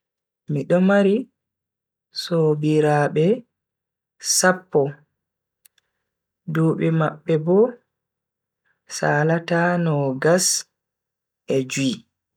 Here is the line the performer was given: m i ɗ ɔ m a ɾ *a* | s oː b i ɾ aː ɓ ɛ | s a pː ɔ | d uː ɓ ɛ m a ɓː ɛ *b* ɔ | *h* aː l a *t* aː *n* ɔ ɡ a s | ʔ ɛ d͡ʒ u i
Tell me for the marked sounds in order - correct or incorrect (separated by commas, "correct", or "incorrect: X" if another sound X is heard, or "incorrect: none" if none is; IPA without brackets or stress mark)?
incorrect: i, correct, incorrect: s, correct, correct